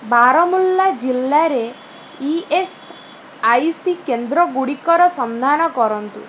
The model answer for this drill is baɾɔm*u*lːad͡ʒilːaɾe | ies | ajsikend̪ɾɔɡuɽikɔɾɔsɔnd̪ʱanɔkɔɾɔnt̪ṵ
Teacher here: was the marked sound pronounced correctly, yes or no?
yes